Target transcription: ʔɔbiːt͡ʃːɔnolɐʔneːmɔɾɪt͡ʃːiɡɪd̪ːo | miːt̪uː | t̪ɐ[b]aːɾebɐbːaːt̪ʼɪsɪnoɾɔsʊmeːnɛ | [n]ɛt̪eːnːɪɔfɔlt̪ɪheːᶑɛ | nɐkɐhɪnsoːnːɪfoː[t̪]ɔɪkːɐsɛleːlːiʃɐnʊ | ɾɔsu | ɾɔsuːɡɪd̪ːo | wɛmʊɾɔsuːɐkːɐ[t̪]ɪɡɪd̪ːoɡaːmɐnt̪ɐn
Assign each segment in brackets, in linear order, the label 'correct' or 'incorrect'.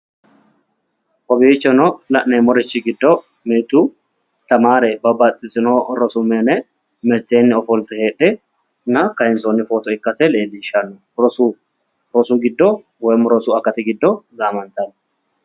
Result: incorrect: m, incorrect: m, correct, correct

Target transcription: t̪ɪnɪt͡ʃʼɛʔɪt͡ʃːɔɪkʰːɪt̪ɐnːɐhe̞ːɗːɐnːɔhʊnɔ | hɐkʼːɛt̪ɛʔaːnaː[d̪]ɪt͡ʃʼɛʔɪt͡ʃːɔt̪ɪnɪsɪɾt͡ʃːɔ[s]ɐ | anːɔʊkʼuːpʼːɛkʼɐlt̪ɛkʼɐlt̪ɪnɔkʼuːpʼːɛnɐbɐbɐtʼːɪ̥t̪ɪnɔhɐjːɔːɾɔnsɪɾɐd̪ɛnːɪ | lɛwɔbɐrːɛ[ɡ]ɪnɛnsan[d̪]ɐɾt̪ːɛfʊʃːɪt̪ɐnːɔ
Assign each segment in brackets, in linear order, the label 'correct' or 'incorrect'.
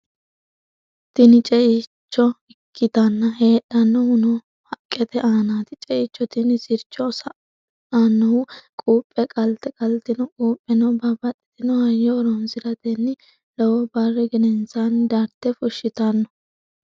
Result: incorrect: t̪, correct, correct, correct

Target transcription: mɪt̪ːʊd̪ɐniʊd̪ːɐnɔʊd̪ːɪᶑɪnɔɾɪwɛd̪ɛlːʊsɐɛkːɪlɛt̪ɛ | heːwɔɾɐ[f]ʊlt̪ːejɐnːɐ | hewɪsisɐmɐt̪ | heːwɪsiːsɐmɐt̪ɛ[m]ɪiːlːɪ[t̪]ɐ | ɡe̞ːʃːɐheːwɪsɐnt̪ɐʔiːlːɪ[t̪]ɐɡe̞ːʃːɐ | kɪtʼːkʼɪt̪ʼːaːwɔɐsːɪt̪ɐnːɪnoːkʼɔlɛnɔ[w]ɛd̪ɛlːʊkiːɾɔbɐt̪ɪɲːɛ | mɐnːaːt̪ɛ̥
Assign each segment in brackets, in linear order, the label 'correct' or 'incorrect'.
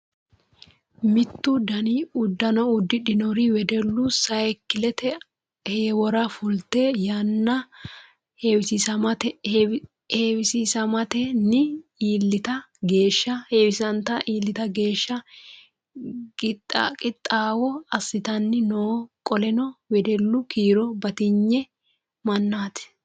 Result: correct, incorrect: n, correct, correct, correct

